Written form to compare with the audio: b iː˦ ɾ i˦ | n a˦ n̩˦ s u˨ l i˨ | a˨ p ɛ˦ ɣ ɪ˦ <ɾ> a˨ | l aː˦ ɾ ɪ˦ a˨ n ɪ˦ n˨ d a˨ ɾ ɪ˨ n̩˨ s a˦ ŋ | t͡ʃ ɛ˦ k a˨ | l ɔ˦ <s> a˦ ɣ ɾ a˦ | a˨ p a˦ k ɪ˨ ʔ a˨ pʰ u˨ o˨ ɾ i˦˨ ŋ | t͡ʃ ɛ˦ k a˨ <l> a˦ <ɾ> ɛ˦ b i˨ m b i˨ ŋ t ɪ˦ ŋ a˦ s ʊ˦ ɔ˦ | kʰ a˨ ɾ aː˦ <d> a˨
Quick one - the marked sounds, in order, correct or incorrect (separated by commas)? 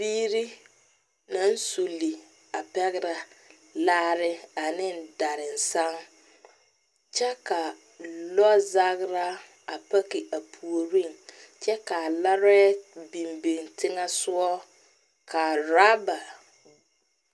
correct, incorrect, correct, correct, incorrect